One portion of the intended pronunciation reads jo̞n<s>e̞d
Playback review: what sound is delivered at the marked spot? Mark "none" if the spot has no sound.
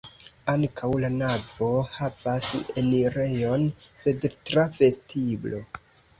s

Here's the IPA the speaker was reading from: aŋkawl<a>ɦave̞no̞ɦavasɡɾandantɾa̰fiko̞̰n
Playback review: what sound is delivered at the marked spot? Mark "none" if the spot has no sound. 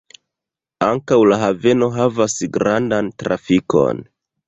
a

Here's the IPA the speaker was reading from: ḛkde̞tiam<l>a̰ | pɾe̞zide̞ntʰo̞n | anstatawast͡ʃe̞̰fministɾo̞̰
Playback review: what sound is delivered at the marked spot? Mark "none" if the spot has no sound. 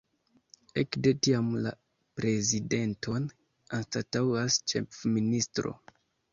l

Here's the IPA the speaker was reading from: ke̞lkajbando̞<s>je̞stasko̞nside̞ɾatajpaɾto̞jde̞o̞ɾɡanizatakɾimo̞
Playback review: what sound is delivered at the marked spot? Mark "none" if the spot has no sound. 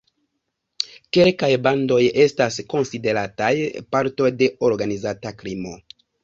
none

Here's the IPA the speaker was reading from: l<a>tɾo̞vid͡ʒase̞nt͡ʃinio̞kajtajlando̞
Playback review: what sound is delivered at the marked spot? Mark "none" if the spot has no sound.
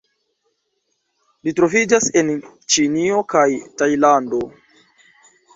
i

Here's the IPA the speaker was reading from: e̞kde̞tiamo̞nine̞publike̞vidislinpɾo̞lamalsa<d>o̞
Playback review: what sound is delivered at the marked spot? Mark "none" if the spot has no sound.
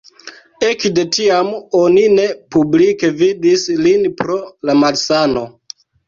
n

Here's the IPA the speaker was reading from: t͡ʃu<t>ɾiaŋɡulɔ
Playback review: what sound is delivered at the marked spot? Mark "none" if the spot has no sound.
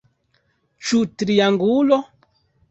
t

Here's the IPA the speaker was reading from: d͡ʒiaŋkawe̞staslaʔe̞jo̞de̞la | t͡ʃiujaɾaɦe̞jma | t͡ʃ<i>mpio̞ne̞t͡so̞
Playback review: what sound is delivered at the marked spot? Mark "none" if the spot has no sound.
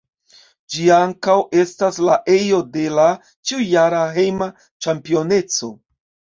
a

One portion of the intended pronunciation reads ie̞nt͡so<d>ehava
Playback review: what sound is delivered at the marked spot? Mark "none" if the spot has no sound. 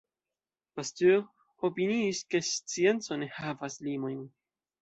n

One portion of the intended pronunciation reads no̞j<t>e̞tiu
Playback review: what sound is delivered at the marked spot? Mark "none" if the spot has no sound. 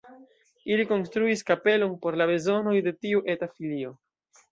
d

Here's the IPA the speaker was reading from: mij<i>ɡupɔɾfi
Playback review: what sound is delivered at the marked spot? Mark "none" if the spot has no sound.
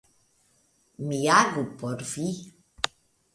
a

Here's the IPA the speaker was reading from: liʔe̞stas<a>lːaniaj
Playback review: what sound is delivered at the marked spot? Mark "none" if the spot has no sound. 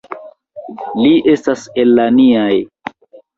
e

